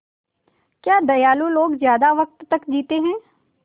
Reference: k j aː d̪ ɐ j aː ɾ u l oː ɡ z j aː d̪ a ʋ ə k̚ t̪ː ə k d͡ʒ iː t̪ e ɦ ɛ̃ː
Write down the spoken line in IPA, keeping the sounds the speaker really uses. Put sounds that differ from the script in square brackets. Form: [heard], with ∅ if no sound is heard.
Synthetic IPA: k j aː d̪ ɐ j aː [l] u l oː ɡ z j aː d̪ a ʋ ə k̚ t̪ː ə k d͡ʒ iː t̪ e ɦ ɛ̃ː

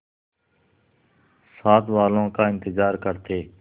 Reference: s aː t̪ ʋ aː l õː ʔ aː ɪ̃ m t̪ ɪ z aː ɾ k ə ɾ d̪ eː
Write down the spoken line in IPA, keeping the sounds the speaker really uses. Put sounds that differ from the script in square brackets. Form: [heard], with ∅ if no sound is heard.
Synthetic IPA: s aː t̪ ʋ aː l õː [k] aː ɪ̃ [n] t̪ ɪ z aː ɾ k ə ɾ [t̪] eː

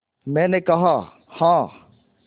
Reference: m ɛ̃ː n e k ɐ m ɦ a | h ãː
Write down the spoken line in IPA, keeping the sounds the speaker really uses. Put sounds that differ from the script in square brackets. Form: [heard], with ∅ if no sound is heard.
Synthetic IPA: m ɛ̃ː n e k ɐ [∅] ɦ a | h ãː

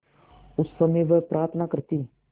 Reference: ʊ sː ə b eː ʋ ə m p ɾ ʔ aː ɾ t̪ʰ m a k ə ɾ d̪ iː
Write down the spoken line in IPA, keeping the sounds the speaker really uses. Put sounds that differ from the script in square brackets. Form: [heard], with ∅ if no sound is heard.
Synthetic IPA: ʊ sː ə [m] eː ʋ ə [∅] p ɾ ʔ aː ɾ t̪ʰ [n] a k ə ɾ [t̪] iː

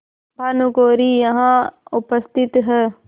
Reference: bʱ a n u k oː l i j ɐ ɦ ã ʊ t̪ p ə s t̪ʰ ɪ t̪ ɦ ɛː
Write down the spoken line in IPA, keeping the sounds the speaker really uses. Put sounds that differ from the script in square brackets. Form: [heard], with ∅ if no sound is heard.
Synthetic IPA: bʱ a n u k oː [ɾ] i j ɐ ɦ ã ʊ [∅] p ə s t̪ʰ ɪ t̪ ɦ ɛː

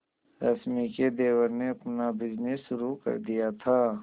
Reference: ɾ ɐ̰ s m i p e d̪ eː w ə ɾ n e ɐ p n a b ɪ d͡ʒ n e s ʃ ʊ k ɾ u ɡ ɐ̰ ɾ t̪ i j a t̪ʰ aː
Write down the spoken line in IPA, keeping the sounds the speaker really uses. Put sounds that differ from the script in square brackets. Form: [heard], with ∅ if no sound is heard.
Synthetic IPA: ɾ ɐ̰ s m i [k] e d̪ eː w ə ɾ n e ɐ p n a b ɪ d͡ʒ n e s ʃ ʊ [∅] ɾ u [k] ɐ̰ ɾ [d̪] i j a t̪ʰ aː

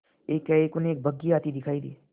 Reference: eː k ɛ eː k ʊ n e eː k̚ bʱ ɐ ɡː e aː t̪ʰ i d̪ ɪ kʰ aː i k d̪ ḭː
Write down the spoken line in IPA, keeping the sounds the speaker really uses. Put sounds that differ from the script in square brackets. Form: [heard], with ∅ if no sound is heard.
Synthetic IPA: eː k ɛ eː k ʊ n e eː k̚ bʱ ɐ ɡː [i] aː [t̪] i d̪ ɪ kʰ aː i [∅] d̪ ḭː

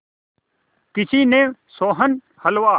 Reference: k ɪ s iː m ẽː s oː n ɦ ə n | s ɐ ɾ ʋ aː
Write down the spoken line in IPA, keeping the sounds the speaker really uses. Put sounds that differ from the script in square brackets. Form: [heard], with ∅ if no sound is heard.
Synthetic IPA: k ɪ s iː [n] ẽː s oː [∅] ɦ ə n | [h] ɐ [l] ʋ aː

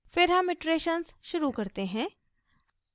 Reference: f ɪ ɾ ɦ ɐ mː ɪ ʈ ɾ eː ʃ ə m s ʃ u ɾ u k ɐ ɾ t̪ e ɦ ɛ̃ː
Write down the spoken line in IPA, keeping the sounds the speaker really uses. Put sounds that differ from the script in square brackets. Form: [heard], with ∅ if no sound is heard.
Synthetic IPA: f ɪ ɾ ɦ ɐ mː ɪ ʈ ɾ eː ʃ ə [n] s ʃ [ʊ] ɾ u k ɐ ɾ t̪ e ɦ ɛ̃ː

